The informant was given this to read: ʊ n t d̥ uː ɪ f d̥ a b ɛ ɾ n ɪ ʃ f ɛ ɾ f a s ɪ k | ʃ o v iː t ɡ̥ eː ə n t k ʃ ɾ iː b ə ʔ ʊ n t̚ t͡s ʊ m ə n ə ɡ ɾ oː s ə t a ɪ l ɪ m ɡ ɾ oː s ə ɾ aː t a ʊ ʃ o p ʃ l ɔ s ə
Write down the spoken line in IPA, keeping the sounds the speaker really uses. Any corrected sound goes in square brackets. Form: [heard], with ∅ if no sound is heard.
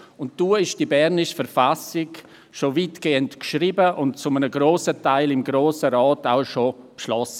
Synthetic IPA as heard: ʊ n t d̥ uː ɪ [ʃ] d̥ [i] b ɛ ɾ n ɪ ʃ f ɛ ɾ f a s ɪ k | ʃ o v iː t ɡ̥ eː ə n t k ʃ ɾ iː b ə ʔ ʊ n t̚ t͡s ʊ m ə n ə ɡ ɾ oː s ə t a ɪ l ɪ m ɡ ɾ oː s ə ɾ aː t a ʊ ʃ o p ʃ l ɔ s ə